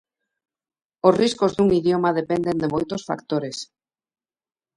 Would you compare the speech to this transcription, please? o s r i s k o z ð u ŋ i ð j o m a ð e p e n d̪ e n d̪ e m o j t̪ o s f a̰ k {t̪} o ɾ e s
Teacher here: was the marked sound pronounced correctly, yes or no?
yes